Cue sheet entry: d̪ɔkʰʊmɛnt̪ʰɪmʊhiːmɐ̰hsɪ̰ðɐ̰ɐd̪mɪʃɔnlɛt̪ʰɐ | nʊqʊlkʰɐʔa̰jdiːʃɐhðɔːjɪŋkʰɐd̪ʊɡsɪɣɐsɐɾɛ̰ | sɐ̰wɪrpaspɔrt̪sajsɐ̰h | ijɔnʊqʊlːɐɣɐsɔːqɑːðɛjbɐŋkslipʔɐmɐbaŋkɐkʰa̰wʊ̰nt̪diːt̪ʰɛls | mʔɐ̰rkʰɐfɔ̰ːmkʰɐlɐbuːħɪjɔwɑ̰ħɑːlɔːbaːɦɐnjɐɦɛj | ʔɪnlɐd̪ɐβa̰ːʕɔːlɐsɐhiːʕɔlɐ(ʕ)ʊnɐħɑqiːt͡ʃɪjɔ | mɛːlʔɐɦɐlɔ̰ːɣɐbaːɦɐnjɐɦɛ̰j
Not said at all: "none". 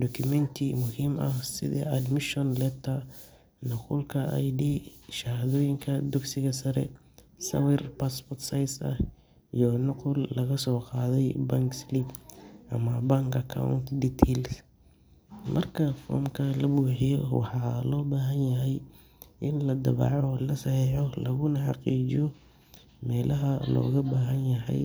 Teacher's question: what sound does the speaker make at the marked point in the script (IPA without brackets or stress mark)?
ɣ